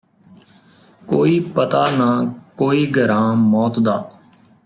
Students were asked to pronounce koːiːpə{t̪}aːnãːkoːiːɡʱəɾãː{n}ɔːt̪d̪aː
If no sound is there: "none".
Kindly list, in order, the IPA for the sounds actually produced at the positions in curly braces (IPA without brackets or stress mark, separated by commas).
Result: t̪, m